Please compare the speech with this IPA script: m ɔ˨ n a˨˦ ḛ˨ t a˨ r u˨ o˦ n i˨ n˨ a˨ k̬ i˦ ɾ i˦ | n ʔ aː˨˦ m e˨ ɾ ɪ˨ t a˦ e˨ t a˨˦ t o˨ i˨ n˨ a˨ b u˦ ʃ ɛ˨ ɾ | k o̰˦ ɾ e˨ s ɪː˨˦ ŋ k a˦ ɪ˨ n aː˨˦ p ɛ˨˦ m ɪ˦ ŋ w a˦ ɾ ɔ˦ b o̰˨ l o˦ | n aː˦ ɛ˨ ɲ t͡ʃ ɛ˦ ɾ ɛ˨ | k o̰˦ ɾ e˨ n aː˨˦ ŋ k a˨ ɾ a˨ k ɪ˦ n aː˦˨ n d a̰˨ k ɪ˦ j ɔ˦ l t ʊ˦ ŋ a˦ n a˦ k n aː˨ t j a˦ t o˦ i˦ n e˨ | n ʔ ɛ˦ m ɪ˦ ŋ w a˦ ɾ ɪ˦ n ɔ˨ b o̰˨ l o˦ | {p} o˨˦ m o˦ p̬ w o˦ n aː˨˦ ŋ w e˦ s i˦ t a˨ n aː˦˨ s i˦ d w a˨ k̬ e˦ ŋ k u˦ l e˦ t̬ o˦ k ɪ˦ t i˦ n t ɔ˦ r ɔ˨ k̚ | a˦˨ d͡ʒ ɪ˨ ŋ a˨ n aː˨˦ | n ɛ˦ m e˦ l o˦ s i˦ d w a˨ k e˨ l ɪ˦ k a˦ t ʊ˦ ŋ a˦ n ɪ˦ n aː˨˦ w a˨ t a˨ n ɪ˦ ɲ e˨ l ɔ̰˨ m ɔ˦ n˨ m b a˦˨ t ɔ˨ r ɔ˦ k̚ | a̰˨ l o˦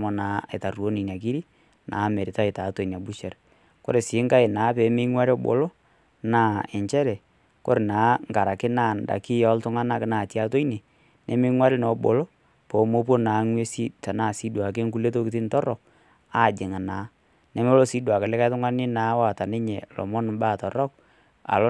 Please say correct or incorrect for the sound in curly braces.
correct